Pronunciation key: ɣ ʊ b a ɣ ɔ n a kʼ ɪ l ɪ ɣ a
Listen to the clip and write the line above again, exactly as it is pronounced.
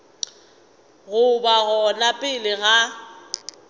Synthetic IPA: ɣ ʊ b a ɣ ɔ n a pʼ ɪ l ɪ ɣ a